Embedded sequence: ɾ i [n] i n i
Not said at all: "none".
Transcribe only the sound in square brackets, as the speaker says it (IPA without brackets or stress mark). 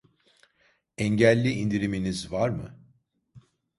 m